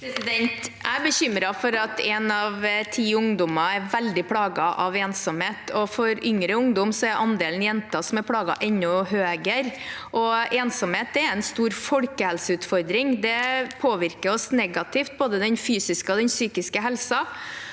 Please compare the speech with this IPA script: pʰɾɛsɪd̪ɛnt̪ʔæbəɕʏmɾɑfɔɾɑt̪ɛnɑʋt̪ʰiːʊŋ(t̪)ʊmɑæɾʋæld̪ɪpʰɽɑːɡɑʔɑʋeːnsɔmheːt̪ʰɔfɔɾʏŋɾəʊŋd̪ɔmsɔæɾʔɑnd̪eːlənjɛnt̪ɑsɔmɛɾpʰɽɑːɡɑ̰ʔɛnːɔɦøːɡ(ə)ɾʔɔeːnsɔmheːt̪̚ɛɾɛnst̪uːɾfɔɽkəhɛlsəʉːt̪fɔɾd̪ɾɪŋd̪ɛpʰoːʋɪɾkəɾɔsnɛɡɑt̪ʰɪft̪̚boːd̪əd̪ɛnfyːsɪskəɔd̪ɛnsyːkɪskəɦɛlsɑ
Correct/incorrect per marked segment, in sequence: incorrect, correct

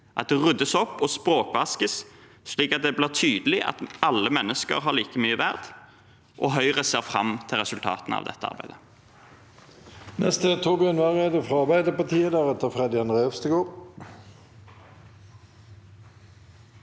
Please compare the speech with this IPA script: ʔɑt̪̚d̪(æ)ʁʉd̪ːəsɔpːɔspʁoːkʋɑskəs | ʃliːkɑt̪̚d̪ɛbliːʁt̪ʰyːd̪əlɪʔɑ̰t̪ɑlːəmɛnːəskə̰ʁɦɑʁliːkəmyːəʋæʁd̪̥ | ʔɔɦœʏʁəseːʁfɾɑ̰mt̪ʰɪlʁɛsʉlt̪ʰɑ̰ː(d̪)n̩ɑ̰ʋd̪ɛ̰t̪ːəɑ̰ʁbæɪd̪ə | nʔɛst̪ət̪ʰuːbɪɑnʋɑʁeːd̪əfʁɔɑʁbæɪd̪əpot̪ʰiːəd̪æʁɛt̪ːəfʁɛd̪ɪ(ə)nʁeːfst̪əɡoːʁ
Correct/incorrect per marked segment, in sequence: incorrect, incorrect, incorrect

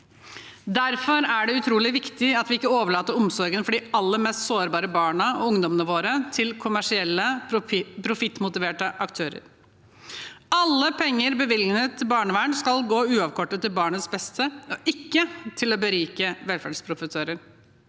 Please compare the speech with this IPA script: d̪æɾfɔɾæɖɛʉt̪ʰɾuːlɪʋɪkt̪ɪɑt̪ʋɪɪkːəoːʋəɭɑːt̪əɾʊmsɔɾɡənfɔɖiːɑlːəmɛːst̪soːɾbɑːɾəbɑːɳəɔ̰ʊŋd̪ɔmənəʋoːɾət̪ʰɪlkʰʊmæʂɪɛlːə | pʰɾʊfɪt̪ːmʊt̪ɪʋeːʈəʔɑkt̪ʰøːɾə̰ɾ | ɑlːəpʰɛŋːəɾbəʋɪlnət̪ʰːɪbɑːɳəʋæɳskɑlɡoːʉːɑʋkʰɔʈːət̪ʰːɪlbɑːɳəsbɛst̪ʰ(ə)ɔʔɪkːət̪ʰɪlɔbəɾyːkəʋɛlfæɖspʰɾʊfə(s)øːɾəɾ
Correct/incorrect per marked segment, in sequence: correct, correct

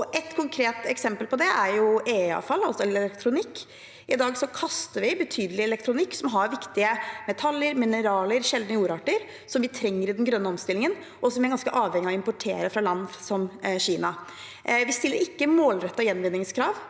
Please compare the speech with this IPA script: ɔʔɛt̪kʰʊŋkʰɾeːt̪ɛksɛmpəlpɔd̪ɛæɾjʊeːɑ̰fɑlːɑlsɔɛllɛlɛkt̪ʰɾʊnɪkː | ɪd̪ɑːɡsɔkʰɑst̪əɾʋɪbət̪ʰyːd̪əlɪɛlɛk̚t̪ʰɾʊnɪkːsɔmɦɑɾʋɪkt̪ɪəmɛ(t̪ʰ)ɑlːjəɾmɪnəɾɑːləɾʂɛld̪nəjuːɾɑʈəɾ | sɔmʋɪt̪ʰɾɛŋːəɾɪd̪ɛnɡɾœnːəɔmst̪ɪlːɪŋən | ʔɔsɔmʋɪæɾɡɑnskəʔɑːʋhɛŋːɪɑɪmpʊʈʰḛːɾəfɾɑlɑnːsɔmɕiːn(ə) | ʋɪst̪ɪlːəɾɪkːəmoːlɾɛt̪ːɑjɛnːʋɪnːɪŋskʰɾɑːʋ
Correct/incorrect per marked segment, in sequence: correct, incorrect

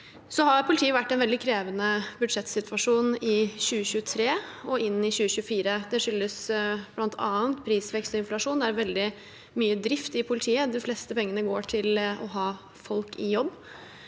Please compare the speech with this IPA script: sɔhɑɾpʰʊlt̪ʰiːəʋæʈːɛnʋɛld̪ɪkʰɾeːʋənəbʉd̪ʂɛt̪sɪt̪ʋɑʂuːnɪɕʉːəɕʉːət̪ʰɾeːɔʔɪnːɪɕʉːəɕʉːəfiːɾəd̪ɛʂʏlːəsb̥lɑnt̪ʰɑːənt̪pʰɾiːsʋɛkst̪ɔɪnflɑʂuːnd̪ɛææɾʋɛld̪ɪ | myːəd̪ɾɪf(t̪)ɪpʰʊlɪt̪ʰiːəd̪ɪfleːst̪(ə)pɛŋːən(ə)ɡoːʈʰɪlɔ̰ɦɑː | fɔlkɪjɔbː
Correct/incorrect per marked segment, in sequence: correct, correct, correct

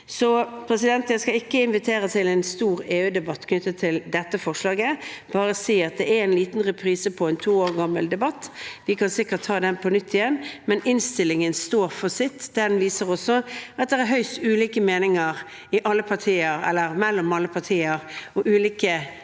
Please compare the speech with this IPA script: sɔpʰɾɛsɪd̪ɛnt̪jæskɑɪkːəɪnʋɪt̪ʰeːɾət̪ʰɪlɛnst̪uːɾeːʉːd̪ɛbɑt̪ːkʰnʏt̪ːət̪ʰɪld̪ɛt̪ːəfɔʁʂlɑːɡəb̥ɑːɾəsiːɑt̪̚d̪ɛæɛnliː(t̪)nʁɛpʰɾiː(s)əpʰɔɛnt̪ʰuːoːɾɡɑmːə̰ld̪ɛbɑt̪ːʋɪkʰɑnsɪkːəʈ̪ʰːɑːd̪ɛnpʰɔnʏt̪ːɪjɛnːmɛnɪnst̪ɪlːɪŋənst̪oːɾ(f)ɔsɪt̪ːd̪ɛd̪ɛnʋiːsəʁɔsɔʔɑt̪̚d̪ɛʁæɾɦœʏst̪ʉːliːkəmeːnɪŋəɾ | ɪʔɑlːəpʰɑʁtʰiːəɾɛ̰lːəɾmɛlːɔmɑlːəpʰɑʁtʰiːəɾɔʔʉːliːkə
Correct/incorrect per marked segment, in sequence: correct, correct, correct

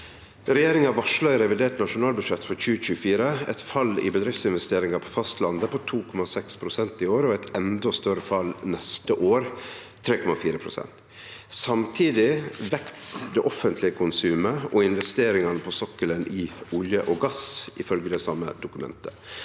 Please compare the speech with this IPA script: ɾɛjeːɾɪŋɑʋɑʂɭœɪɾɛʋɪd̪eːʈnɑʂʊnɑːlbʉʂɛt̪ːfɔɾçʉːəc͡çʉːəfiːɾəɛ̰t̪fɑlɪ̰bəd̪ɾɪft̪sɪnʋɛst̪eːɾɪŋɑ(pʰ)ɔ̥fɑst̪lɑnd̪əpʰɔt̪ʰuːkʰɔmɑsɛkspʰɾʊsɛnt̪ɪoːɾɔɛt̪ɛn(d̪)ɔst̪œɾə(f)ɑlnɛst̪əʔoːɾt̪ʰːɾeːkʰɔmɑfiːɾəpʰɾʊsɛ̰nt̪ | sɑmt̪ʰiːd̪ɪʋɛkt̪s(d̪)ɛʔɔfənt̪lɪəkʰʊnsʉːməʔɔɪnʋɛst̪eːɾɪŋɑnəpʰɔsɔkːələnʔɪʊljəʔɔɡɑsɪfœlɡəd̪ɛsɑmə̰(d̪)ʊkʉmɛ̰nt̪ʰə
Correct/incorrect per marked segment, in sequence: correct, correct, correct, correct, correct

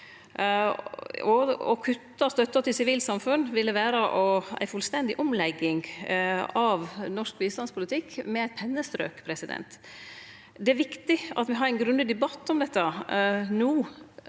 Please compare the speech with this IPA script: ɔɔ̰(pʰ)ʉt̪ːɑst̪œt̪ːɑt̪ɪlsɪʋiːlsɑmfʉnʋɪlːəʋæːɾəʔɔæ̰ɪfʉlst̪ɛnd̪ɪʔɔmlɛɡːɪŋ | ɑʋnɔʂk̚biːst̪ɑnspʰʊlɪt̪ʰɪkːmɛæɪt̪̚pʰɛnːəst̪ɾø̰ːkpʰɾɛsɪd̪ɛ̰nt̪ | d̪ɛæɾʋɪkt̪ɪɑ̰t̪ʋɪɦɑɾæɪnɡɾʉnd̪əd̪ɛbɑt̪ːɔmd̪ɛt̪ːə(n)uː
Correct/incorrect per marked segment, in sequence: incorrect, correct

